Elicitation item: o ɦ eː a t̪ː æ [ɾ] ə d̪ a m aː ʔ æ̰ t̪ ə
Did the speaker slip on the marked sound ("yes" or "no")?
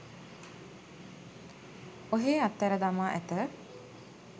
no